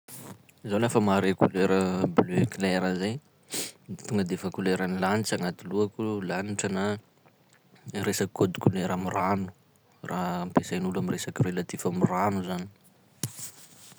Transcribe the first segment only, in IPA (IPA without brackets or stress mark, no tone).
z